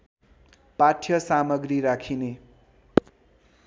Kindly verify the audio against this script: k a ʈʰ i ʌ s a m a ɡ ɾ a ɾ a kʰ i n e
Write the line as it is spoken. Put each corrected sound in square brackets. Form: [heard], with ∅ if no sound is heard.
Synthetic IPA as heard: [p] a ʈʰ [j] ʌ s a m [ʌ] ɡ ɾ [i] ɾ a kʰ i n e